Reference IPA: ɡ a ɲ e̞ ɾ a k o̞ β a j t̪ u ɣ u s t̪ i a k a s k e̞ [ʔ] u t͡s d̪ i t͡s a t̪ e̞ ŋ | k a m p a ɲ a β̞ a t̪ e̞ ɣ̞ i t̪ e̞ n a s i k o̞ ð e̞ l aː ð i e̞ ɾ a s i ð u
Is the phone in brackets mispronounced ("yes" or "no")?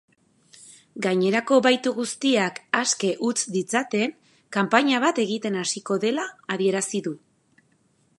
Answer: no